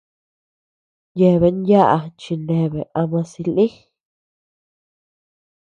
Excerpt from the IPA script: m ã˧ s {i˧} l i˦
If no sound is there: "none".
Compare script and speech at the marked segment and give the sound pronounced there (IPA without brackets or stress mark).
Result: i˧